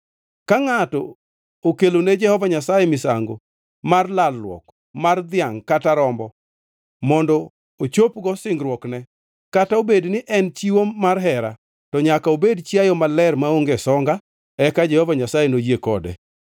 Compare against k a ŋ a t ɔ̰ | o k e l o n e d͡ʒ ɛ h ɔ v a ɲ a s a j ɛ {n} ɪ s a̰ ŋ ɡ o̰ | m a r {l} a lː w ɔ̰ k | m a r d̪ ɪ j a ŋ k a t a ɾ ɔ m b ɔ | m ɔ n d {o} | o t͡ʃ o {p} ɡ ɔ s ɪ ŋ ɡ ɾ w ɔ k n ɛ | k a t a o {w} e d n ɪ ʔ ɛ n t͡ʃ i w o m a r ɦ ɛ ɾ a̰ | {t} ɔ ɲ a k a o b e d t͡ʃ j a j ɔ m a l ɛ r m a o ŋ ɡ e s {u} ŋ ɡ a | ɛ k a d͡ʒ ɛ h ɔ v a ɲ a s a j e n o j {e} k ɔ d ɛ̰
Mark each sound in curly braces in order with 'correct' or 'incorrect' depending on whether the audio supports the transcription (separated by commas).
incorrect, correct, incorrect, correct, incorrect, correct, incorrect, correct